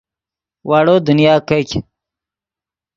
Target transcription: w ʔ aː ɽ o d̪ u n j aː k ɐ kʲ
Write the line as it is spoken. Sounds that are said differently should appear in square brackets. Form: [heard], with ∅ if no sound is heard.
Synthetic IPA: w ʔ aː ɽ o d̪ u n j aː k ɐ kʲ